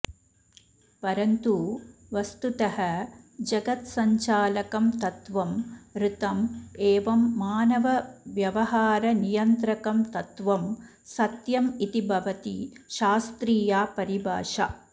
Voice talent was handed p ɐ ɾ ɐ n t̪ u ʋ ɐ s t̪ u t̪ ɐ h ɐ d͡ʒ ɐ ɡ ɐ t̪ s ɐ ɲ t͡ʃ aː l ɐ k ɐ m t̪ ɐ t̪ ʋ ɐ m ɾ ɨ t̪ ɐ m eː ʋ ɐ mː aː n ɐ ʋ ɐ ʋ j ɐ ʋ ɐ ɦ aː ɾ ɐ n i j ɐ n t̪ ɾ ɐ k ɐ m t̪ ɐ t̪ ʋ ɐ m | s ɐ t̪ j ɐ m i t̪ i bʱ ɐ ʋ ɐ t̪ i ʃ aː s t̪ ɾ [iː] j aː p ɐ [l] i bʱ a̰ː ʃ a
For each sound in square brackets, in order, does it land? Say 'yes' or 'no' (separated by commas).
yes, no